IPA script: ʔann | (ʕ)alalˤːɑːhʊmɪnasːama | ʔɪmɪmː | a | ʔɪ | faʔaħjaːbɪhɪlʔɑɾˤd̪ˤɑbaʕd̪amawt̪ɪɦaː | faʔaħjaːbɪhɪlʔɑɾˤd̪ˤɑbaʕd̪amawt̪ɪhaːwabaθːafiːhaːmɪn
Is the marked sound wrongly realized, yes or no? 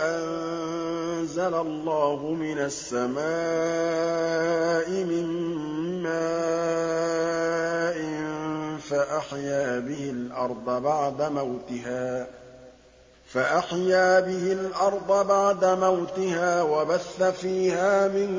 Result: yes